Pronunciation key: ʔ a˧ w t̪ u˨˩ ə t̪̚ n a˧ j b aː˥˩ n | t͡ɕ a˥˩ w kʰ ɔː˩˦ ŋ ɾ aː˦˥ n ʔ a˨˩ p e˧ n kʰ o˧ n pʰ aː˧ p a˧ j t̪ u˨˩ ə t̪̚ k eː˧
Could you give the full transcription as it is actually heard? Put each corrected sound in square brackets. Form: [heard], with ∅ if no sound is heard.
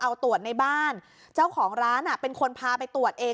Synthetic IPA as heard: ʔ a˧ w t̪ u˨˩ ə t̪̚ n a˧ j b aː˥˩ n | t͡ɕ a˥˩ w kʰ ɔː˩˦ ŋ ɾ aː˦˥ n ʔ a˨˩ p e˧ n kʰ o˧ n pʰ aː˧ p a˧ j t̪ u˨˩ ə t̪̚ [ʔ] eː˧